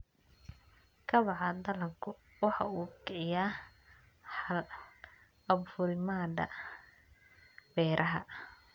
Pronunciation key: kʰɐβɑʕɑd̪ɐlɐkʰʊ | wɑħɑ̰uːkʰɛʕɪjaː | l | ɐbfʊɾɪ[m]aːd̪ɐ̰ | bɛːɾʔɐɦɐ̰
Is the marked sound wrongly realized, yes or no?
no